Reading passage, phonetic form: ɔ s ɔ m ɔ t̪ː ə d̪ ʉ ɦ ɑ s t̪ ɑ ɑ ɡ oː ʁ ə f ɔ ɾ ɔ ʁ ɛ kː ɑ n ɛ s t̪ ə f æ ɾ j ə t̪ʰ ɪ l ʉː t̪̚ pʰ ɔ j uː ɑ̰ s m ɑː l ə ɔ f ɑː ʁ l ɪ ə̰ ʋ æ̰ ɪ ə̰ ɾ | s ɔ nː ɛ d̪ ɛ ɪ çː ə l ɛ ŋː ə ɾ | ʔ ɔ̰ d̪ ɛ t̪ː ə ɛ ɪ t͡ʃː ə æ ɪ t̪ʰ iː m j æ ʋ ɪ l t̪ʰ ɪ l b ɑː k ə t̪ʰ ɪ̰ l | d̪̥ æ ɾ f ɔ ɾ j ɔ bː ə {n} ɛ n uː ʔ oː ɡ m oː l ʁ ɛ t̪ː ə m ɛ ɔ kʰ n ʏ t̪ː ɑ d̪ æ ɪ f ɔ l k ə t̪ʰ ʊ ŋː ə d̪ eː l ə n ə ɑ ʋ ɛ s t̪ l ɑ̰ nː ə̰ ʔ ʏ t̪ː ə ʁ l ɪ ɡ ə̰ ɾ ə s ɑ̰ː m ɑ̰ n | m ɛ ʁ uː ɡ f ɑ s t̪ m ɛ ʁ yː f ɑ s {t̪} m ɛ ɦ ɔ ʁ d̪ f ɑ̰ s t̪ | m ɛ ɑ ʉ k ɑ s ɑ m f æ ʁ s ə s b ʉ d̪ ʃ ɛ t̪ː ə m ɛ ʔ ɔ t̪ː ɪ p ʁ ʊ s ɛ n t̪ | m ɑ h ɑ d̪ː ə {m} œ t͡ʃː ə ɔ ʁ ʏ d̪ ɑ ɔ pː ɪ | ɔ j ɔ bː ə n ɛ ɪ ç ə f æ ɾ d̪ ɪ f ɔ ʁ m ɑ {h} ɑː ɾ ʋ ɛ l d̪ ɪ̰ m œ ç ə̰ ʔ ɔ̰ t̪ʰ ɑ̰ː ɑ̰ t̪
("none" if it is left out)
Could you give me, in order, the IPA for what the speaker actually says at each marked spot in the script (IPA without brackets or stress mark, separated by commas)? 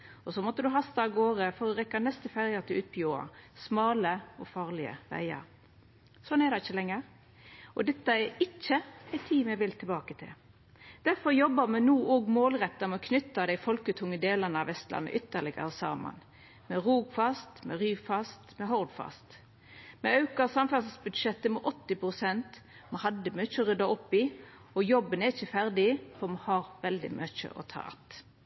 m, t̪, m, h